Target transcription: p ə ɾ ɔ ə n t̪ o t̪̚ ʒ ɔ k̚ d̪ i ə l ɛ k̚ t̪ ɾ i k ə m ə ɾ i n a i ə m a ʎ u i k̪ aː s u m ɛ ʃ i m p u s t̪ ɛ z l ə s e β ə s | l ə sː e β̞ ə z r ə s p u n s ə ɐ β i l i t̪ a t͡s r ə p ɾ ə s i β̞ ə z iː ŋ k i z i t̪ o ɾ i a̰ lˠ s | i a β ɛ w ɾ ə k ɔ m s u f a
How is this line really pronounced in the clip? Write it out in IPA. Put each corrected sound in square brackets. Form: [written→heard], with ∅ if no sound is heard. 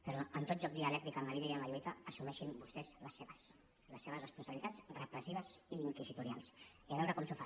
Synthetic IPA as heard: p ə ɾ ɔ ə n t̪ o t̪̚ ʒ ɔ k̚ d̪ i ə l ɛ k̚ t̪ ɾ i k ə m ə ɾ i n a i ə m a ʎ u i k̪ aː s u m ɛ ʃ i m [p→b] u s t̪ ɛ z l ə s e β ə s | l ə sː e β̞ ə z r ə s p u n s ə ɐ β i l i t̪ a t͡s r ə p ɾ ə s i β̞ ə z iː ŋ k i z i t̪ [o→u] ɾ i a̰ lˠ s | i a β ɛ w ɾ ə k ɔ m s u f a